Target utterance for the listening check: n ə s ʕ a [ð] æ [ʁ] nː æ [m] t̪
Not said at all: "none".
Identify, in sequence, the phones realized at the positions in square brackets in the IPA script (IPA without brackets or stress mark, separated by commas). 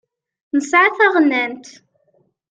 θ, ʁ, n